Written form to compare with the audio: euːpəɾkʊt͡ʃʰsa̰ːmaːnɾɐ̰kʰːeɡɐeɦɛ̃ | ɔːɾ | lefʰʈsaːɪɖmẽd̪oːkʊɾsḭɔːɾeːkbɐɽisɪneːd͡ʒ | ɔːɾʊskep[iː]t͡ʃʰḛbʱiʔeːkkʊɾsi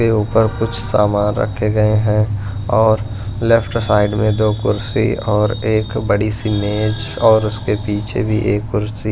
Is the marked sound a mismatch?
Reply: no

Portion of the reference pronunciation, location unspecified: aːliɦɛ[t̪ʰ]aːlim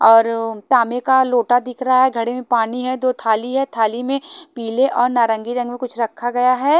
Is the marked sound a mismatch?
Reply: no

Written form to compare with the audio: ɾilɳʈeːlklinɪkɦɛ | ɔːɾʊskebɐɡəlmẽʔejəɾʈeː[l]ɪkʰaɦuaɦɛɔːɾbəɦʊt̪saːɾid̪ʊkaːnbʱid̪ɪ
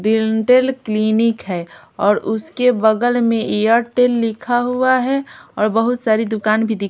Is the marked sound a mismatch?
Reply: yes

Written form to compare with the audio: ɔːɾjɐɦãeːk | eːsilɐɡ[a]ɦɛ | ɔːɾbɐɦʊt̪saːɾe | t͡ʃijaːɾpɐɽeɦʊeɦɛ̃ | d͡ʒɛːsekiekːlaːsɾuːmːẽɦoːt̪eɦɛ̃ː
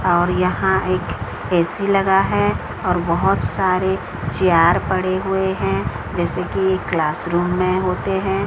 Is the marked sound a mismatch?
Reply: no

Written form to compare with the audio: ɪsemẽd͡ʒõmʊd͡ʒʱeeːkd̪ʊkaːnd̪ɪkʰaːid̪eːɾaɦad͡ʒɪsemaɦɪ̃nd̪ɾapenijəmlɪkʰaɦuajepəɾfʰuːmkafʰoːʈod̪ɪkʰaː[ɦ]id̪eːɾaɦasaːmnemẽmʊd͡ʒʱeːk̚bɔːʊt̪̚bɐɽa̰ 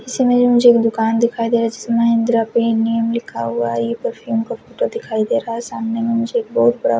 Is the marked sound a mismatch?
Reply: yes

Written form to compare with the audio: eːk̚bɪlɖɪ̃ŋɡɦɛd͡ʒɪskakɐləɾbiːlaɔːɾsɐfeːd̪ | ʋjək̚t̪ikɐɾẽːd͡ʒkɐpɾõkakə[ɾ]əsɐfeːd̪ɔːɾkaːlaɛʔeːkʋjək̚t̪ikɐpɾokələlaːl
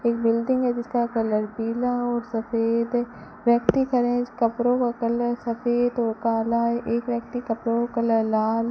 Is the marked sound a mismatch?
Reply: yes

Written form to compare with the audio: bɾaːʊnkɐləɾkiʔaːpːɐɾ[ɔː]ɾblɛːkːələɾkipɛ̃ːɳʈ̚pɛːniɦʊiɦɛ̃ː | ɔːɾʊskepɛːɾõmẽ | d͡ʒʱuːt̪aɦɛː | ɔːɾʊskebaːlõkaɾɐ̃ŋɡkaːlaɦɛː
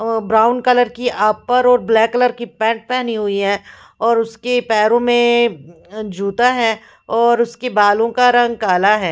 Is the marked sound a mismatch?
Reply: no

